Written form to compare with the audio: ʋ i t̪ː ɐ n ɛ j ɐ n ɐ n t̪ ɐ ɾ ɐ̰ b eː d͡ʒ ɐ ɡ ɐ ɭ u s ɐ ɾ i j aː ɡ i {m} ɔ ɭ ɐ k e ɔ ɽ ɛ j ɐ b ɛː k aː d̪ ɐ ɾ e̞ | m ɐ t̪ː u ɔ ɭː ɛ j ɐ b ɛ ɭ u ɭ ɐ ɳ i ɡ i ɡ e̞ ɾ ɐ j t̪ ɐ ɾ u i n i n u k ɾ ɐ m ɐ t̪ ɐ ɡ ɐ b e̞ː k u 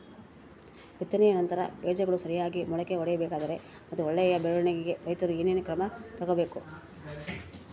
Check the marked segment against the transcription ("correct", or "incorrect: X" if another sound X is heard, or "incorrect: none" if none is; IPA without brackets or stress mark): correct